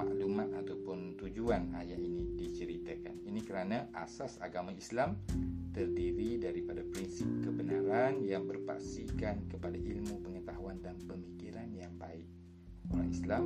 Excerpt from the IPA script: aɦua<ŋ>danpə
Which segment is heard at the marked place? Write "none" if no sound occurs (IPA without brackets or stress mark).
n